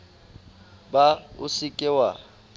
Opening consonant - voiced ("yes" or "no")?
yes